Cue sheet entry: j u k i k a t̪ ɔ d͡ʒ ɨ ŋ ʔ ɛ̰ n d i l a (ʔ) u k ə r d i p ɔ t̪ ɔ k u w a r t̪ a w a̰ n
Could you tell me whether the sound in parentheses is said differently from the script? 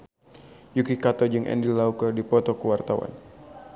yes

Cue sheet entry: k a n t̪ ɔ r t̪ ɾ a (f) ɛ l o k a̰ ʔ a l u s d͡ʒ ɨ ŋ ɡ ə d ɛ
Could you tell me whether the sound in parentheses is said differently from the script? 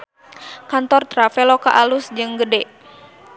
no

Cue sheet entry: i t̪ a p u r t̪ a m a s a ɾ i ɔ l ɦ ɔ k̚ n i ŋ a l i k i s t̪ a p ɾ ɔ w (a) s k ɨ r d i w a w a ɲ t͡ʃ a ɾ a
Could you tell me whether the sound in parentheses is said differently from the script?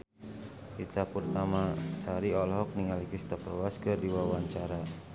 no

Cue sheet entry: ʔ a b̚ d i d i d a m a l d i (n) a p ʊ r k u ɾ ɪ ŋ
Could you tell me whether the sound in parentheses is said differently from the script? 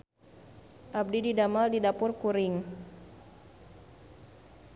yes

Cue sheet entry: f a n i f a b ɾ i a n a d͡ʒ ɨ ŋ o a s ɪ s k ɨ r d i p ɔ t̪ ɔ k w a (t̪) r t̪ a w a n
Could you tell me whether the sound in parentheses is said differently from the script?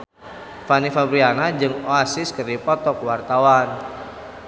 yes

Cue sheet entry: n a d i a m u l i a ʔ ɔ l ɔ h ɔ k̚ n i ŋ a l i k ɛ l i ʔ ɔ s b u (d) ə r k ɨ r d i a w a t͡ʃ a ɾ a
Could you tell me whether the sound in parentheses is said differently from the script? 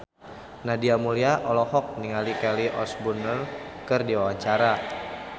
yes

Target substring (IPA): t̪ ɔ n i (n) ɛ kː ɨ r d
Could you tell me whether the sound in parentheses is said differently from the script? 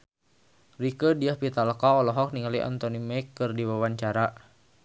yes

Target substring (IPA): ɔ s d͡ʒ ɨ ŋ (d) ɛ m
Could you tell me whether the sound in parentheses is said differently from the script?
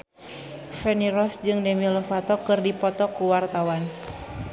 no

